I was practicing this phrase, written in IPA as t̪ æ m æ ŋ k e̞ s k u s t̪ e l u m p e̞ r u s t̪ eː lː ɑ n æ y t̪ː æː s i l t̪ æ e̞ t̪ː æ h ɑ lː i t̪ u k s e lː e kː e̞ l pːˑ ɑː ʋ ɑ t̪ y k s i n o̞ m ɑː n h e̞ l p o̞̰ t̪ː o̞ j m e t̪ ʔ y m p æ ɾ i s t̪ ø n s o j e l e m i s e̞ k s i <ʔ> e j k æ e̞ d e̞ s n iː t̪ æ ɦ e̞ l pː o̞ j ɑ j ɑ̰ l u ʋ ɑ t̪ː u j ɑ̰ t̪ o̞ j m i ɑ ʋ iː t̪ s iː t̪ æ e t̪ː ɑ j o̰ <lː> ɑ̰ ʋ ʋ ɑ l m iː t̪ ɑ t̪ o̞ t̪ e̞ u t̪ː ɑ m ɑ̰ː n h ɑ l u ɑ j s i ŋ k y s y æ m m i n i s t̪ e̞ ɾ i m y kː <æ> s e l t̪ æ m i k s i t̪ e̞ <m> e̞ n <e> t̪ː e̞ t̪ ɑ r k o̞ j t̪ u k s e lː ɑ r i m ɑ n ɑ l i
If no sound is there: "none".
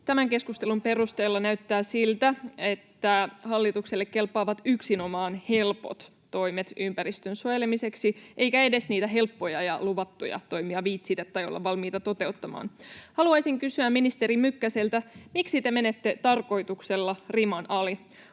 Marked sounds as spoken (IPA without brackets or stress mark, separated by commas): ʔ, lː, æ, m, e